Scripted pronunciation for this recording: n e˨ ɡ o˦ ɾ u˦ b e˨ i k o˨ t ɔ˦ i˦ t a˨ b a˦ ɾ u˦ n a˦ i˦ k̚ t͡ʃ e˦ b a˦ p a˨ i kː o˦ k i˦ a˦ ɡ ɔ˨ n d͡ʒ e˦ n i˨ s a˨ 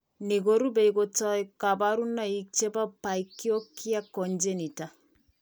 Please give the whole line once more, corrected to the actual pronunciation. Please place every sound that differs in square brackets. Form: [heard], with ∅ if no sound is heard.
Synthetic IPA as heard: n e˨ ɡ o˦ ɾ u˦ b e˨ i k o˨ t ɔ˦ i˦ [k] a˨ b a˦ ɾ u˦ n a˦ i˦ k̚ t͡ʃ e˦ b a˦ p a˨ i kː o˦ k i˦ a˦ [k] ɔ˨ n d͡ʒ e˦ n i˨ [t] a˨